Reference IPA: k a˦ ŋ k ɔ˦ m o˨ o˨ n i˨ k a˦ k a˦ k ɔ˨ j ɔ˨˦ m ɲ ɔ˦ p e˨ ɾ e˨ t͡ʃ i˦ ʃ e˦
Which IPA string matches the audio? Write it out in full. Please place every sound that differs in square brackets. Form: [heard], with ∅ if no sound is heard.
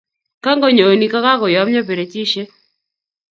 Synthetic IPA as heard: k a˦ ŋ [ɡ] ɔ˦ [ɲ] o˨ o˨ n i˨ k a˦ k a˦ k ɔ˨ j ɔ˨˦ m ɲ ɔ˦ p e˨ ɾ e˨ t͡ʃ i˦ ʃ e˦